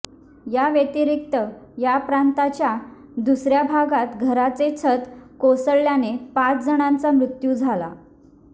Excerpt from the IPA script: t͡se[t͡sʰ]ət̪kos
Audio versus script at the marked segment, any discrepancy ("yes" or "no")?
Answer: no